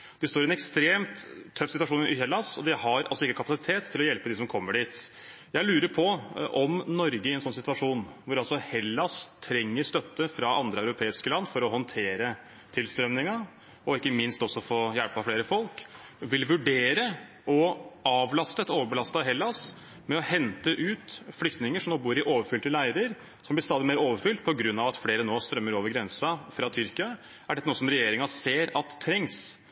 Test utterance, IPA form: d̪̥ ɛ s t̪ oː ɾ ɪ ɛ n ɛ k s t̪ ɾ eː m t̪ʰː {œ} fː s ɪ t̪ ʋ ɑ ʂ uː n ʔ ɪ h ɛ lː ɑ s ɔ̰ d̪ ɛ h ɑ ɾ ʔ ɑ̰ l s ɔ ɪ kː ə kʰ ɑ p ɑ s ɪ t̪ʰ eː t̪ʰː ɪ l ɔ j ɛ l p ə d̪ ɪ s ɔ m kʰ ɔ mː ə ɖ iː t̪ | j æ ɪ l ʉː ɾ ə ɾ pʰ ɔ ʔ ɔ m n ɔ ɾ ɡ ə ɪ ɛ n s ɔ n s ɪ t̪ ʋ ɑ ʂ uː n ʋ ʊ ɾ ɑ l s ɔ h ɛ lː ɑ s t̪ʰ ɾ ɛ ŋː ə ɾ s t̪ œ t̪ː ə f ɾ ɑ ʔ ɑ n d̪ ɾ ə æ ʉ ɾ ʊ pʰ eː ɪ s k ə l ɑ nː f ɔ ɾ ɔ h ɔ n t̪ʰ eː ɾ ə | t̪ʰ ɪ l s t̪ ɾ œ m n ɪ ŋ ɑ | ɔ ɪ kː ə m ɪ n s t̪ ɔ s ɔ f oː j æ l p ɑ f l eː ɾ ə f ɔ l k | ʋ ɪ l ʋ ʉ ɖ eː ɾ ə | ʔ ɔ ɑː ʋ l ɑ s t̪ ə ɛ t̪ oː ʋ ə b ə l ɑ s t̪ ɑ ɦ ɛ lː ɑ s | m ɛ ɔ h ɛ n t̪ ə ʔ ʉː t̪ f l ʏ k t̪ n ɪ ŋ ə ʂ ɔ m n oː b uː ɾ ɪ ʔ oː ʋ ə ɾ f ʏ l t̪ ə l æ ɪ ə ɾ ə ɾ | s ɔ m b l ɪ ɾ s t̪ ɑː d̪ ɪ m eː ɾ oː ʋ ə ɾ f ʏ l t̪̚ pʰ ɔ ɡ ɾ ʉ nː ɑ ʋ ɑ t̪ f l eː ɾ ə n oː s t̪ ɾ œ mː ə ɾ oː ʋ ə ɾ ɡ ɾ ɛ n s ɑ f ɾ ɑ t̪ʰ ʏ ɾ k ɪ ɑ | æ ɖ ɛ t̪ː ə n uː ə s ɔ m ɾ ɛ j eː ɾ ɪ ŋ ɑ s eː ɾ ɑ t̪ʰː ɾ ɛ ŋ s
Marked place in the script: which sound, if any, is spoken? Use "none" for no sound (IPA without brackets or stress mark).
œ